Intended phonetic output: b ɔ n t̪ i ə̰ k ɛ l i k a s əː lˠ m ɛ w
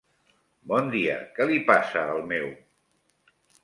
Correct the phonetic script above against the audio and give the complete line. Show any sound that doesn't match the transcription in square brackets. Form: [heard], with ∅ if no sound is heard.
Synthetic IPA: b ɔ n [d̪] i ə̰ k ɛ l i [p] a s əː lˠ m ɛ w